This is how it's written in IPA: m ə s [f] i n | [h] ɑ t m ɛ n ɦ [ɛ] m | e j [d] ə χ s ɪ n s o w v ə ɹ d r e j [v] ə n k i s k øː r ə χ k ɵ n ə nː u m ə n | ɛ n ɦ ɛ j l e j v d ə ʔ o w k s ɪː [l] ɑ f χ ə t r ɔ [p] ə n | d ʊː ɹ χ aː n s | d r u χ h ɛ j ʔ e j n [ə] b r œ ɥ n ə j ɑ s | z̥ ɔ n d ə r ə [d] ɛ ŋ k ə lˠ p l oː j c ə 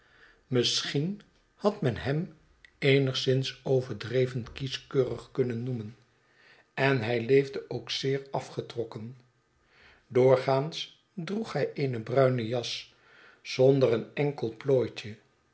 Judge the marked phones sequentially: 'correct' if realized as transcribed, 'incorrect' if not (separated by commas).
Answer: incorrect, correct, correct, incorrect, correct, incorrect, incorrect, correct, incorrect